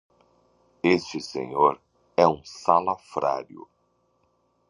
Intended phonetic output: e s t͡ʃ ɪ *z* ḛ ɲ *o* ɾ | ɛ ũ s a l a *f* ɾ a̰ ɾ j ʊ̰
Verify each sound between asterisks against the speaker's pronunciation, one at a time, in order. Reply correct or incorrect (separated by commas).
incorrect, correct, correct